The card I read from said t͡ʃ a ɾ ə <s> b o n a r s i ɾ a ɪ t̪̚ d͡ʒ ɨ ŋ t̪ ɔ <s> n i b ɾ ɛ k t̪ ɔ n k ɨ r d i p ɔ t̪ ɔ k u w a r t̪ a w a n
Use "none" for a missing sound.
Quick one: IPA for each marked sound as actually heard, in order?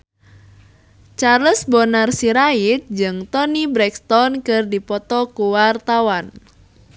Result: s, none

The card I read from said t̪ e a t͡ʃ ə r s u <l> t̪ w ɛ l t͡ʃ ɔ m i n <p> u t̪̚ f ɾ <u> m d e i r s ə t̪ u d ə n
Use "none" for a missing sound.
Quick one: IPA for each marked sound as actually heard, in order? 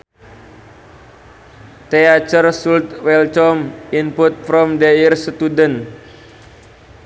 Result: l, p, ɔ

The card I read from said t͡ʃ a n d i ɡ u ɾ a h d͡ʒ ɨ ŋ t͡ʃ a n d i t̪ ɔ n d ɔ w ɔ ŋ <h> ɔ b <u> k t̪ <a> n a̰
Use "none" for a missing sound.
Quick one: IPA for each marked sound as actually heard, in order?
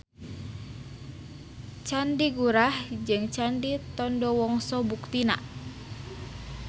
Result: s, u, i

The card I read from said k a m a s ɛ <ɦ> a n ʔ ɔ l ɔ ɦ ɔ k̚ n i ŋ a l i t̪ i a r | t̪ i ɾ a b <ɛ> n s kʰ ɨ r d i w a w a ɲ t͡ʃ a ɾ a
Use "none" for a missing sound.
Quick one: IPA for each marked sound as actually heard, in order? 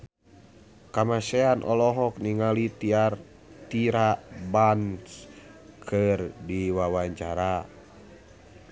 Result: none, a

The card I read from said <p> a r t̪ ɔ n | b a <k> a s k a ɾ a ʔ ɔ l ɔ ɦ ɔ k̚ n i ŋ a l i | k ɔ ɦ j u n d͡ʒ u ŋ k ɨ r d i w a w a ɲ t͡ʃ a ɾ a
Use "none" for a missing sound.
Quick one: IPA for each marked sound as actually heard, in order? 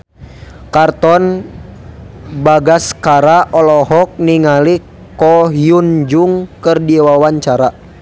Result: k, ɡ

